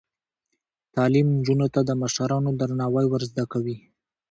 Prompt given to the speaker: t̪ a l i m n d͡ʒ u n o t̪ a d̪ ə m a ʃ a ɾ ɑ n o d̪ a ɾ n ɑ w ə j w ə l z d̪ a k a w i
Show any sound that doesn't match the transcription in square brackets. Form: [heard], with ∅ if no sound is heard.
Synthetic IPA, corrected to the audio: t̪ [ɑ] l i m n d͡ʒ u n o t̪ a d̪ ə m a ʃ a ɾ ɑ n o d̪ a ɾ n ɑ w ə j w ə [ɾ] z d̪ a k a w i